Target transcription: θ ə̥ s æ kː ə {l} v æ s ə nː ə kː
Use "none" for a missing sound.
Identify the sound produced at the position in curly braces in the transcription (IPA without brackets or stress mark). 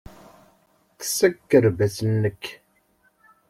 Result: ɾ